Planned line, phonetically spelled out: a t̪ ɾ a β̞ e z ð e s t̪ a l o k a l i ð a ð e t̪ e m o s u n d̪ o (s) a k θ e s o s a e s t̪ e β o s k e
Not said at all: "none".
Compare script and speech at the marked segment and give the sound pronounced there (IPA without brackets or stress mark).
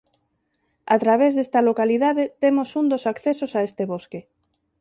s